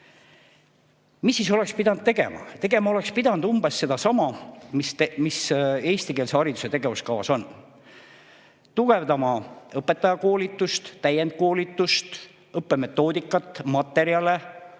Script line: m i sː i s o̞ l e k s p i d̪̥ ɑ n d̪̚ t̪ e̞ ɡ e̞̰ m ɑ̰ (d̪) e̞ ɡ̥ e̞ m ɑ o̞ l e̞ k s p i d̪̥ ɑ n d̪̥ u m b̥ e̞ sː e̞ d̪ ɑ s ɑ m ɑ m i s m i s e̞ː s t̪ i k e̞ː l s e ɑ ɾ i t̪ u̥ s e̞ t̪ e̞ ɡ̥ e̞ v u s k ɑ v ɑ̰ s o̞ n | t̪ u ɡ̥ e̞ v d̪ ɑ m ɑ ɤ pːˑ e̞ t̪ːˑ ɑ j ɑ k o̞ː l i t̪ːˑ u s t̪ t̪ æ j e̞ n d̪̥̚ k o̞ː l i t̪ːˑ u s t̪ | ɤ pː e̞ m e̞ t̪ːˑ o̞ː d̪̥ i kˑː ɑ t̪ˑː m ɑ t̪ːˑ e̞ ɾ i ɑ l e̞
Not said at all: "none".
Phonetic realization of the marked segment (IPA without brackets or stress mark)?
t̪